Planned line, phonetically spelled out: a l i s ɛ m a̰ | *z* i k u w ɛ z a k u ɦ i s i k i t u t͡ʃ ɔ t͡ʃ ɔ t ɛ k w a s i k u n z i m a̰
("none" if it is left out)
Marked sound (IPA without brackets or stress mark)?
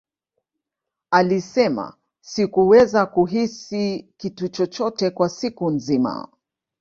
s